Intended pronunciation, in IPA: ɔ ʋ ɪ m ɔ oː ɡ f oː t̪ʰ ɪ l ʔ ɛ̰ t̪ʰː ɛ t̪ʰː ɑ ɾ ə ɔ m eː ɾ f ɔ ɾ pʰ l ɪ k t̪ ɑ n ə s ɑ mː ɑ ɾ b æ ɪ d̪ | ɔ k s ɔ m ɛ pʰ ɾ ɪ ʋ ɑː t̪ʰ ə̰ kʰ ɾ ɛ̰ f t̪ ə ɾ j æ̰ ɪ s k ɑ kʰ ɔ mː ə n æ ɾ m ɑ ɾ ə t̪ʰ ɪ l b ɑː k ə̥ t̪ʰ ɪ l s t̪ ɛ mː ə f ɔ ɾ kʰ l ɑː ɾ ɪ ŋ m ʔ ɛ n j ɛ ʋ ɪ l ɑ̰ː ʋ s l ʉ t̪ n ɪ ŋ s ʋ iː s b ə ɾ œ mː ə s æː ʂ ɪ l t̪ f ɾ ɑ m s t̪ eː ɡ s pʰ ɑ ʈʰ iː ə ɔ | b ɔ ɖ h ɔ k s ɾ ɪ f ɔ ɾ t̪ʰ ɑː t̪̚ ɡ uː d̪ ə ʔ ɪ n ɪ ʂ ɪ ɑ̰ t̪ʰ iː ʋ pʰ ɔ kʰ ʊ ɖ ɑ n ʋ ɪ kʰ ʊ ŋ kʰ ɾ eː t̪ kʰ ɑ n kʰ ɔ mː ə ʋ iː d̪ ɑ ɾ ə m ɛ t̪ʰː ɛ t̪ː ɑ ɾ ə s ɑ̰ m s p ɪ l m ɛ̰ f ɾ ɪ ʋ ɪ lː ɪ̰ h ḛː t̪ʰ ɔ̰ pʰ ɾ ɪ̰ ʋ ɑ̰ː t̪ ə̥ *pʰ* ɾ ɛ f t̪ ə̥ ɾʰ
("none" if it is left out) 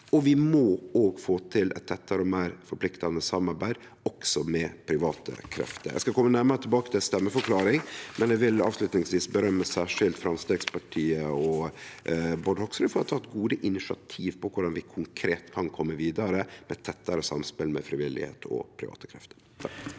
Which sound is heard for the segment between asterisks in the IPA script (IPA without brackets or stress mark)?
kʰ